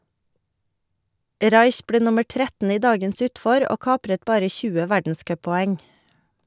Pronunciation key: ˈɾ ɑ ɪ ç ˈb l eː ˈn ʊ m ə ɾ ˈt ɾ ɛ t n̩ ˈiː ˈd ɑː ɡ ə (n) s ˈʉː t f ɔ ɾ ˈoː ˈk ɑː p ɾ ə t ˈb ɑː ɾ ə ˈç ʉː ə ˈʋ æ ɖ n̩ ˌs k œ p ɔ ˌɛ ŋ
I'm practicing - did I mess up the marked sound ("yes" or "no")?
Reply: no